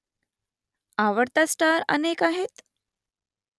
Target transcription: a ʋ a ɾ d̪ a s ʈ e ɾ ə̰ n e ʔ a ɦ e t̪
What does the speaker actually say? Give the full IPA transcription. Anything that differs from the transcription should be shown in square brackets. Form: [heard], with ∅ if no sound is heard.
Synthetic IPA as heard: a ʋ [ə] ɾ [t̪] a s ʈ [a] ɾ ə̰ n e [k] a ɦ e t̪